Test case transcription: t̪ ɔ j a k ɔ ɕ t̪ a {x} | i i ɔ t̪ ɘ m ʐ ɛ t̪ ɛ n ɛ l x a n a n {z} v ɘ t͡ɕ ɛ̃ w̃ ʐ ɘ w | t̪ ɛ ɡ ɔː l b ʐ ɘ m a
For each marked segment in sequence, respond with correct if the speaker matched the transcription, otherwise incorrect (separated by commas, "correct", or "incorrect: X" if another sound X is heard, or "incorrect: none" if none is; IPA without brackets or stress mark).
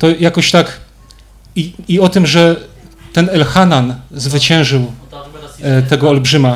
incorrect: k, correct